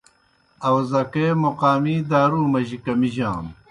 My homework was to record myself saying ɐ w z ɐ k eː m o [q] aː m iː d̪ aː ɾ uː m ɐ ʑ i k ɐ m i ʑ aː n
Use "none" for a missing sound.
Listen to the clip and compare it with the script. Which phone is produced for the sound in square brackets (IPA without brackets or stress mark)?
q